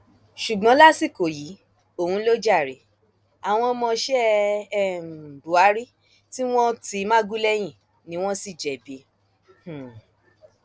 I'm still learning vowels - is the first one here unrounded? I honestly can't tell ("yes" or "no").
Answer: no